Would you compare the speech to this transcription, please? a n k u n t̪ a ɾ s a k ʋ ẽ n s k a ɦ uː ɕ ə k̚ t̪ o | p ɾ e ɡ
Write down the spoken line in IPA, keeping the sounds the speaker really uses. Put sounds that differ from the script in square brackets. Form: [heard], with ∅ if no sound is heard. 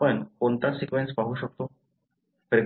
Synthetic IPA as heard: [ə] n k [o] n t̪ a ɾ s [i] k ʋ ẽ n s [p] a ɦ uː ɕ ə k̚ t̪ o | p ɾ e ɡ